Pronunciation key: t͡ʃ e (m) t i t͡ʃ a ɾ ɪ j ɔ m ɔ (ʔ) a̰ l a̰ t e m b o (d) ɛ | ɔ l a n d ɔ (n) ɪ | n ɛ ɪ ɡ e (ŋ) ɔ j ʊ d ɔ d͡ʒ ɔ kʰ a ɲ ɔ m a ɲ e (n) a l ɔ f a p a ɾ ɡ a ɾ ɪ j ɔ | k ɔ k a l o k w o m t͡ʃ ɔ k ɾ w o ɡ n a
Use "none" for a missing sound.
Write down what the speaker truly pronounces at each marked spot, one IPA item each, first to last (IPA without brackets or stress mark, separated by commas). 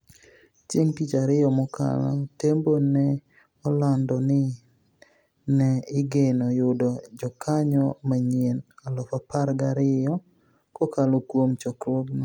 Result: ŋ, k, n, n, n, n